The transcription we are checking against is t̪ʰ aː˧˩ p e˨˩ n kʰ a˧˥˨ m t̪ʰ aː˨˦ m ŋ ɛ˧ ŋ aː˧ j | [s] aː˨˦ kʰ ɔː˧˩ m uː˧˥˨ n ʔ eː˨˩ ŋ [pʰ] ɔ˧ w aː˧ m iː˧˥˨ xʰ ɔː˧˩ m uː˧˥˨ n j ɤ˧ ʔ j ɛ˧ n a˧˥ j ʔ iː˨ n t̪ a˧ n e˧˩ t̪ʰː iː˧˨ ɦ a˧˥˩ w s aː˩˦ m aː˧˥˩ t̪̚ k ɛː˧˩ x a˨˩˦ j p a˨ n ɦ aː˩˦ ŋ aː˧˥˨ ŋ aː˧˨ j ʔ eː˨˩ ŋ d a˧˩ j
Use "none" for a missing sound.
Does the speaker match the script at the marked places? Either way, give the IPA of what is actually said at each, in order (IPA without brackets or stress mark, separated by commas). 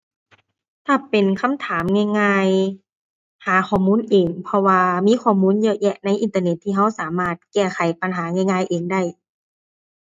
h, pʰ